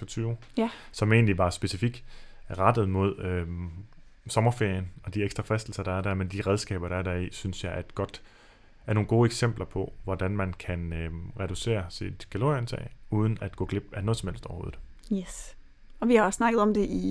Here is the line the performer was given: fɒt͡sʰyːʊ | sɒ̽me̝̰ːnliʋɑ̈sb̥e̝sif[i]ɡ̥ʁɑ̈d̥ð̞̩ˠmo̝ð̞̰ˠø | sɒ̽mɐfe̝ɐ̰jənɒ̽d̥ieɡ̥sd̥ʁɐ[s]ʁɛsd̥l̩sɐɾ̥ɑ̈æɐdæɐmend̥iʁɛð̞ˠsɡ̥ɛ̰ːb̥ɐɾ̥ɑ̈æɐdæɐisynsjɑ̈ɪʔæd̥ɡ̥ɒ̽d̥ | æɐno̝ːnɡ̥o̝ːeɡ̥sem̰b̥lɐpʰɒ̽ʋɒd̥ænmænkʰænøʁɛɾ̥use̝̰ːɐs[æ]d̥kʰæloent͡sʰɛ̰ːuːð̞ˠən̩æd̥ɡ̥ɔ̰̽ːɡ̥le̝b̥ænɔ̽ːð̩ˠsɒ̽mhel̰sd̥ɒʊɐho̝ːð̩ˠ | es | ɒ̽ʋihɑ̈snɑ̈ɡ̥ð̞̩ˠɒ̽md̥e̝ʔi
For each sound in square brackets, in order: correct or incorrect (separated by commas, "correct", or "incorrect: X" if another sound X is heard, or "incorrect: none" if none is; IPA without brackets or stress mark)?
correct, incorrect: f, incorrect: i